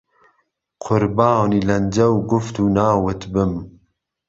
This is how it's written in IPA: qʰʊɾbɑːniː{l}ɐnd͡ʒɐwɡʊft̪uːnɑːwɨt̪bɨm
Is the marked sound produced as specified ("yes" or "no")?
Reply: yes